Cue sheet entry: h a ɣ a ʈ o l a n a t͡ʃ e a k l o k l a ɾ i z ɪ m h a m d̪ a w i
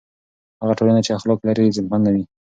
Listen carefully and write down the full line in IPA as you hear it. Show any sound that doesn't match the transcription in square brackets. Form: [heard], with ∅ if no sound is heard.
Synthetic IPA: h a ɣ a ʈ o l a n a t͡ʃ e a [x] l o k l a ɾ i z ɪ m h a [n] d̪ a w i